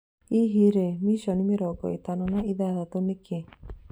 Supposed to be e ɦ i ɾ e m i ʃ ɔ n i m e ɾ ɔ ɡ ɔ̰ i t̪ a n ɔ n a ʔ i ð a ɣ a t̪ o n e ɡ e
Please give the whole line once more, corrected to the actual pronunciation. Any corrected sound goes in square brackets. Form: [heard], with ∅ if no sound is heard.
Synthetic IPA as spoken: [i] ɦ i ɾ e m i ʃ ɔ n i m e ɾ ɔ ɡ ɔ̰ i t̪ a n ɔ n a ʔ i ð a [ð] a t̪ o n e [k] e